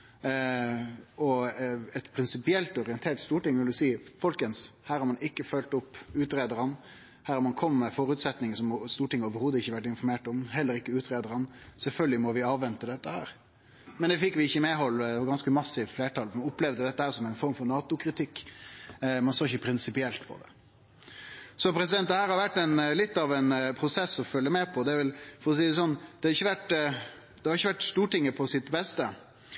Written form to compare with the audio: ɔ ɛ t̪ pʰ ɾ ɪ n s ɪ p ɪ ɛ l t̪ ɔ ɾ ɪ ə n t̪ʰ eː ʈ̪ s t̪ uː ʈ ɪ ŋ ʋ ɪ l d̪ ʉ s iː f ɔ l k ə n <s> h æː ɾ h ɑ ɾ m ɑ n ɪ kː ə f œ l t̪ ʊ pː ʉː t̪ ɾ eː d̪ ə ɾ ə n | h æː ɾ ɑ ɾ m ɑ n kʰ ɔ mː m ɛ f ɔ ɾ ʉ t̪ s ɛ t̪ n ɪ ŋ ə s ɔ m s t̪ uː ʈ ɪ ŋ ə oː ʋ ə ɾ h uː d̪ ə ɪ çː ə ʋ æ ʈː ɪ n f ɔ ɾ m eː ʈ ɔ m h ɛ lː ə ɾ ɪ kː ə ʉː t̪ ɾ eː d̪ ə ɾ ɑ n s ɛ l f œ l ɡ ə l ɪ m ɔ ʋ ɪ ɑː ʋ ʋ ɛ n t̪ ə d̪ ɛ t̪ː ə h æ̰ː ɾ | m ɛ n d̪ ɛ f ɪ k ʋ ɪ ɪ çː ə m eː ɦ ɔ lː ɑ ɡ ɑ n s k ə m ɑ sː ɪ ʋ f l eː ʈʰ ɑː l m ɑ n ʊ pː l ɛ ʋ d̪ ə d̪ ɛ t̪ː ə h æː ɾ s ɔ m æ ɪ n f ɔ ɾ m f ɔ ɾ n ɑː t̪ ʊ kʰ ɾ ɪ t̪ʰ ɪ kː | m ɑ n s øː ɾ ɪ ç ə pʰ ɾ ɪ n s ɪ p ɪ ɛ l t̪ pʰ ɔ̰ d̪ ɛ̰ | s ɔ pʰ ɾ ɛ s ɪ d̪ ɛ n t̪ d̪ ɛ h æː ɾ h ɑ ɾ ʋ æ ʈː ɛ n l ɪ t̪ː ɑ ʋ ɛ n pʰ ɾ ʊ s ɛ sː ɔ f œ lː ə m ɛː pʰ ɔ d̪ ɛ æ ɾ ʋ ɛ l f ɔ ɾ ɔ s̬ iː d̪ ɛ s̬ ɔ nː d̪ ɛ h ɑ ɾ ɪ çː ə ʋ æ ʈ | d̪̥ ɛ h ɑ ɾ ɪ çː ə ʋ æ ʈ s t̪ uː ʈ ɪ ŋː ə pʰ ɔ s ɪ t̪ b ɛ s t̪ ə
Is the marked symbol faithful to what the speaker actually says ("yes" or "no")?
yes